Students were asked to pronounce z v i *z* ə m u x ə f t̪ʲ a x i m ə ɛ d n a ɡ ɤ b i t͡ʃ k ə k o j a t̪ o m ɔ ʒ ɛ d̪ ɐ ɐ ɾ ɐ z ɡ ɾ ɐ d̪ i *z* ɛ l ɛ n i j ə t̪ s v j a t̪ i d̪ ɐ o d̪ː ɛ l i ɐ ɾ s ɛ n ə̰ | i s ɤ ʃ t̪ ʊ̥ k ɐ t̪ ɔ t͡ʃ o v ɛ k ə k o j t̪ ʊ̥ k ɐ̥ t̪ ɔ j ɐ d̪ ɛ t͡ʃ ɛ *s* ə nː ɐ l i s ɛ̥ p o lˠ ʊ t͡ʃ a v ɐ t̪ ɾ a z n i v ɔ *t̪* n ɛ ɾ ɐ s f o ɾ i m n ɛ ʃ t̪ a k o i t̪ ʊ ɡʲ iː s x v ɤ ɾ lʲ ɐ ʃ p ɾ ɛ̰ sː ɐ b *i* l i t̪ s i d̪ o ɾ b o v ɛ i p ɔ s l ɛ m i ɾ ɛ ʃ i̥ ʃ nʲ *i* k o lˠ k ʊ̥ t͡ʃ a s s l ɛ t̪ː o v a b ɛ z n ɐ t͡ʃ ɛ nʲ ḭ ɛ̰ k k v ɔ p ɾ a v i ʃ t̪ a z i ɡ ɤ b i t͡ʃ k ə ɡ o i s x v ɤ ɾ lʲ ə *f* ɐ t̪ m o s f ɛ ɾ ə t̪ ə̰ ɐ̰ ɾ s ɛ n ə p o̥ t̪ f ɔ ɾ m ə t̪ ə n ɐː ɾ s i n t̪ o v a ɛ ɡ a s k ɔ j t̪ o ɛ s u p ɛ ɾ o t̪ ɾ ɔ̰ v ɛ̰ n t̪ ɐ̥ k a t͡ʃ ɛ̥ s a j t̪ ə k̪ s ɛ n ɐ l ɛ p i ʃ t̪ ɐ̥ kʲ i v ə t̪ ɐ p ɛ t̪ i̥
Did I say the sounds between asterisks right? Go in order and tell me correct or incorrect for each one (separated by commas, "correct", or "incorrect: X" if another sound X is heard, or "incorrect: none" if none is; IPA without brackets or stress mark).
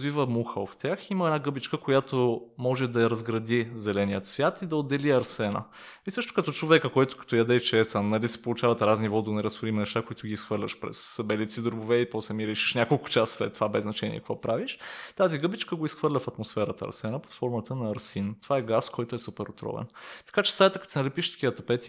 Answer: incorrect: v, correct, correct, incorrect: d̪, incorrect: ɛ, incorrect: a, correct